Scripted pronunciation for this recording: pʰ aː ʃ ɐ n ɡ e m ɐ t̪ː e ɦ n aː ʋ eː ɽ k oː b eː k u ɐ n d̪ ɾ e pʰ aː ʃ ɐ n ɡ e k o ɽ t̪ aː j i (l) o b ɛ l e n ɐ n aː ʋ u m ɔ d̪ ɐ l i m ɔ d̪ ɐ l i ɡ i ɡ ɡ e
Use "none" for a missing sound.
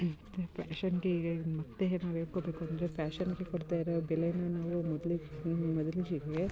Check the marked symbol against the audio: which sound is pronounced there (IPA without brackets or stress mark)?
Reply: ɾ